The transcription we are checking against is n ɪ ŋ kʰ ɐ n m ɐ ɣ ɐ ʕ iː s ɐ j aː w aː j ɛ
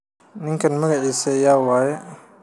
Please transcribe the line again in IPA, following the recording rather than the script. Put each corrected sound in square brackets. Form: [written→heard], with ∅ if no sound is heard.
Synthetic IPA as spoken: n ɪ ŋ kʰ ɐ n m ɐ ɣ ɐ ʕ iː s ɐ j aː w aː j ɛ